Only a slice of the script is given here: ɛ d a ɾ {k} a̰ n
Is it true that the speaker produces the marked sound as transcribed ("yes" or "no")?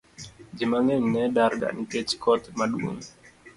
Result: no